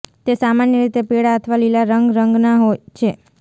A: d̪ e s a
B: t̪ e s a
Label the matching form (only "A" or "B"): B